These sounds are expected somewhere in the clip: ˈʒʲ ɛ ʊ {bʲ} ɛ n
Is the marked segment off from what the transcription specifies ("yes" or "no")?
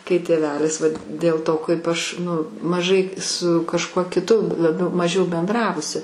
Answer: no